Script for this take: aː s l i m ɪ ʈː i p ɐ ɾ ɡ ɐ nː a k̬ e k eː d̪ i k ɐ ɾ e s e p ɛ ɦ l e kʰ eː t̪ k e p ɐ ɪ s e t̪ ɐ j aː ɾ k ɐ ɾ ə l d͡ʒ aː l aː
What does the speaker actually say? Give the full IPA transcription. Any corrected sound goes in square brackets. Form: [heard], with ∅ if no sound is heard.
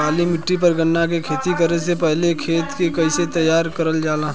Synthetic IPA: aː [∅] l i m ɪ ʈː i p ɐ ɾ ɡ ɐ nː a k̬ e [kʰ] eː [t̪] i k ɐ ɾ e s e p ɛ ɦ l e kʰ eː t̪ k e [k] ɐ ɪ s e t̪ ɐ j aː ɾ k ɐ ɾ ə l d͡ʒ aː l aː